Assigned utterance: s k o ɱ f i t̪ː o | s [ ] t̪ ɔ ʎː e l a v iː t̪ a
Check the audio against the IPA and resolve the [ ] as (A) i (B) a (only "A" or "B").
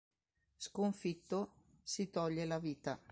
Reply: A